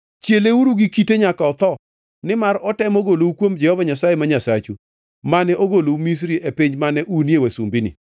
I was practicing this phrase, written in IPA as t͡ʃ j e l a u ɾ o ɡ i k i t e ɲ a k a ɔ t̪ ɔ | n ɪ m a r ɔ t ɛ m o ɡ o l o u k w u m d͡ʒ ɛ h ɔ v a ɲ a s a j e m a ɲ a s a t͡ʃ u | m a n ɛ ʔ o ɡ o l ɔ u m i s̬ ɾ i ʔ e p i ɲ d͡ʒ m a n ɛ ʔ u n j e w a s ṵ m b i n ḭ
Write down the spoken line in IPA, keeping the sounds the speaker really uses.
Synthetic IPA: t͡ʃ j e l e u ɾ u ɡ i k i t e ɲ a k a ɔ t̪ ɔ | n ɪ m a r ɔ t ɛ m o ɡ o l o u k w o m d͡ʒ ɛ h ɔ v a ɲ a s a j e m a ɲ a s a t͡ʃ u | m a n ɛ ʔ o ɡ o l o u m i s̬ ɾ i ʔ e p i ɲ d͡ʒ m a n ɛ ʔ u n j e w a s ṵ m b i n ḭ